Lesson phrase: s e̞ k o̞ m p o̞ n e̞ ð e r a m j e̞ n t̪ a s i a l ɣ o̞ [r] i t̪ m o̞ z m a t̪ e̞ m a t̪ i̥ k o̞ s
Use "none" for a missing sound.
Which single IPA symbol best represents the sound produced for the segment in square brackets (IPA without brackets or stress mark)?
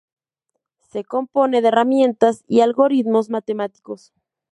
ɾ